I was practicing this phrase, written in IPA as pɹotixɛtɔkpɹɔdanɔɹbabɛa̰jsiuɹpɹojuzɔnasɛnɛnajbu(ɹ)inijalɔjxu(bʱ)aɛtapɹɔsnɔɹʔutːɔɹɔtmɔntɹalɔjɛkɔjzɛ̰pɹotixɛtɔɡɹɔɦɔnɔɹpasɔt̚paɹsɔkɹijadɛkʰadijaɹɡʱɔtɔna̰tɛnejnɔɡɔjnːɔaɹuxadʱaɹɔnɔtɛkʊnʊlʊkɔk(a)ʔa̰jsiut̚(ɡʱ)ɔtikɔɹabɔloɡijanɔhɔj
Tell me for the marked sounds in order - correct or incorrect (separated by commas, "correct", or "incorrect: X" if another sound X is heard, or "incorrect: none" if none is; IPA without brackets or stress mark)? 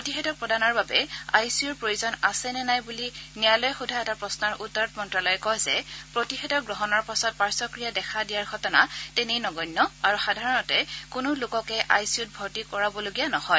incorrect: l, incorrect: dʱ, incorrect: ɛ, incorrect: bʱ